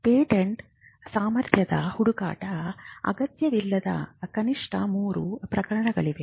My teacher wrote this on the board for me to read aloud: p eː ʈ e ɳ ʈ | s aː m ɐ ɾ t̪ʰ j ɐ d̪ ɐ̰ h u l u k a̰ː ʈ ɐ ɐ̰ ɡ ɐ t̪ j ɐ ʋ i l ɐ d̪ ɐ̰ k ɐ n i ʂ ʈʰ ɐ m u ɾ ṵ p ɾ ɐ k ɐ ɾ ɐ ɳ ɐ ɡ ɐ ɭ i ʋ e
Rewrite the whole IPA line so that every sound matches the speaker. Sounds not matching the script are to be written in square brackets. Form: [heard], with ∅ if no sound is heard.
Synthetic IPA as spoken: p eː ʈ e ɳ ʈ | s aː m ɐ ɾ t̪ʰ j ɐ d̪ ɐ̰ h u [ɽ] u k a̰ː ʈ ɐ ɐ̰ ɡ ɐ t̪ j ɐ ʋ i [lː] ɐ d̪ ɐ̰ k ɐ n i ʂ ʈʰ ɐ m [uː] ɾ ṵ p ɾ ɐ k ɐ ɾ ɐ ɳ ɐ ɡ ɐ ɭ i ʋ e